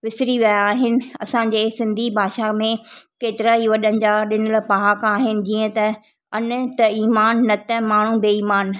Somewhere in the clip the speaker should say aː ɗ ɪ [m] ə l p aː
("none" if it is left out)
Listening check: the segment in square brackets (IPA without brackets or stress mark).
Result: n